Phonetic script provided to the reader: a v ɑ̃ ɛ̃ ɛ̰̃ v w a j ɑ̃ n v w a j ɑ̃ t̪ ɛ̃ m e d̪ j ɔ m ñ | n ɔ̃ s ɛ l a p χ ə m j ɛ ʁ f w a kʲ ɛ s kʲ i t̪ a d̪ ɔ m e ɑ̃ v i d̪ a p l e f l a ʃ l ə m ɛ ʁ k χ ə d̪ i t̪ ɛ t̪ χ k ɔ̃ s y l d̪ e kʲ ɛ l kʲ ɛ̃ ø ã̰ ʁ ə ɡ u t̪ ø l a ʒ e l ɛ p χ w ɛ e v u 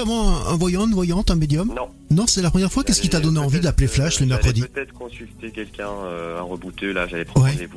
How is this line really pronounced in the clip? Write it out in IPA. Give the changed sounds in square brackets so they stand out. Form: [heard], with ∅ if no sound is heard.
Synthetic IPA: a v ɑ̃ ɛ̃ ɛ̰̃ v w a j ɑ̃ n v w a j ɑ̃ t̪ ɛ̃ m e d̪ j ɔ m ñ | n ɔ̃ s ɛ l a p χ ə m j ɛ ʁ f w a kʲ ɛ s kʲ i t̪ a d̪ ɔ [n] e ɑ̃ v i d̪ a p l e f l a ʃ l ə m ɛ ʁ k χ ə d̪ i t̪ ɛ t̪ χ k ɔ̃ s y l [t̪] e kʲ ɛ l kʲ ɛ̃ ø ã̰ ʁ ə [b] u t̪ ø l a ʒ [a] l ɛ p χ w ɛ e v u